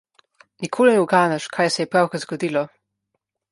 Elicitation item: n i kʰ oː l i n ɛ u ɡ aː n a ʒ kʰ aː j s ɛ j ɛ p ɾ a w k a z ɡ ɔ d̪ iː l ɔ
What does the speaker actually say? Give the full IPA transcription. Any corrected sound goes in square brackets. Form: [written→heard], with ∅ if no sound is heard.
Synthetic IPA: n i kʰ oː l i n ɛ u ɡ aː n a [ʒ→ʃ] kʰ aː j s ɛ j ɛ p ɾ a w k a z ɡ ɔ d̪ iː l ɔ

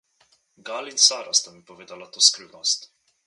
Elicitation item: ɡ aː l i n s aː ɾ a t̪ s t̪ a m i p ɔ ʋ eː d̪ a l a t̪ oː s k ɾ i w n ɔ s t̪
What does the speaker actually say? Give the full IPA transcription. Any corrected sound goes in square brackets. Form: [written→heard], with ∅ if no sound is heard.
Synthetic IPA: ɡ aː l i n s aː ɾ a [t̪→∅] s t̪ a m i p ɔ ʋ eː d̪ a l a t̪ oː s k ɾ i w n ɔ s t̪

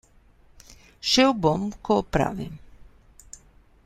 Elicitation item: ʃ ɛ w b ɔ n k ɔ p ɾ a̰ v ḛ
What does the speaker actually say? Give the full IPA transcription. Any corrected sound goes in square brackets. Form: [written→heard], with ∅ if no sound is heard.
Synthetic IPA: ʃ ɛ w b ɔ [n→m] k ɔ p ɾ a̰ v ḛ

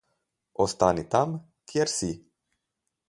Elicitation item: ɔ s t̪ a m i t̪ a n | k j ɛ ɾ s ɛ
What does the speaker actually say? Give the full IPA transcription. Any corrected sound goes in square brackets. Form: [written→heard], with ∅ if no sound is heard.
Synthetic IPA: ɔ s t̪ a [m→n] i t̪ a [n→m] | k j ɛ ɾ s [ɛ→i]

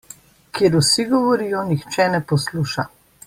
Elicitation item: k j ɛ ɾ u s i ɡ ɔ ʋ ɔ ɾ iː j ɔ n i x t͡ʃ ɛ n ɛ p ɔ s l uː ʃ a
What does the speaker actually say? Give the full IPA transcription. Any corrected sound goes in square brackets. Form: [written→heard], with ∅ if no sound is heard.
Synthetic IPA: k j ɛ ɾ u s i ɡ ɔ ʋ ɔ ɾ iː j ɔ n i x t͡ʃ ɛ n ɛ p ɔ s l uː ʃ a

